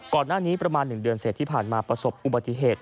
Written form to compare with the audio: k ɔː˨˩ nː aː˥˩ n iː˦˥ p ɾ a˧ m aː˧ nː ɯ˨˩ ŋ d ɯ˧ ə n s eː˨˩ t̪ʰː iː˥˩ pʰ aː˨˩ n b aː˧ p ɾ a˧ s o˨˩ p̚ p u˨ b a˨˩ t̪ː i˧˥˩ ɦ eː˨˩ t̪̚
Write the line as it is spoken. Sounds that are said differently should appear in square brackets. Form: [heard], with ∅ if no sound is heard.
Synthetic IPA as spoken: k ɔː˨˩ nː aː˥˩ n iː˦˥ p ɾ a˧ m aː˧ nː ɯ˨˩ ŋ d ɯ˧ ə n s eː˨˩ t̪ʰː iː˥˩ pʰ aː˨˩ n [m] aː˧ p ɾ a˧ s o˨˩ p̚ [ʔ] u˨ b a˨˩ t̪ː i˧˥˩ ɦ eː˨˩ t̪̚